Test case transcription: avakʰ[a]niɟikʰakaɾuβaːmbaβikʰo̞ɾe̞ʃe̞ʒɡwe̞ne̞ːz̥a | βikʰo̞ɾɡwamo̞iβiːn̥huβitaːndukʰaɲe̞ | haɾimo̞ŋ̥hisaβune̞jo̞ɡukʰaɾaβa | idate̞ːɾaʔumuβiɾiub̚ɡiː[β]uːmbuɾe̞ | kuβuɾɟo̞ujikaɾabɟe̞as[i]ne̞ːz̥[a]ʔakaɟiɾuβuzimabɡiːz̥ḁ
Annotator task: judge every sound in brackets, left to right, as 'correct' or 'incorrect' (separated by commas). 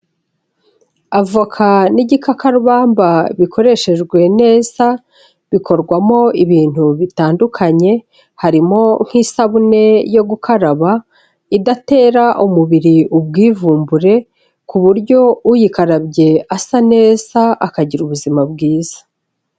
correct, incorrect, incorrect, correct